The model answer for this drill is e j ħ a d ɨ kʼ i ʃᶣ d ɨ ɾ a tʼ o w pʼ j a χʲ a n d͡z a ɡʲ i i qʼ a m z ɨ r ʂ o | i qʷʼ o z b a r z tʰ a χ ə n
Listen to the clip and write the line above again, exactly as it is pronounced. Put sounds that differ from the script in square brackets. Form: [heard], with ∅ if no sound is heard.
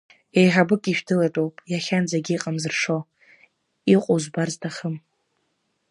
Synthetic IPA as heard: e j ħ a [b] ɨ kʼ i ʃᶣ d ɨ [l] a tʼ o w pʼ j a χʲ a n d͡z a ɡʲ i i qʼ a m z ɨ r ʂ o | i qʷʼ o z b a r z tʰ a χ ə [m]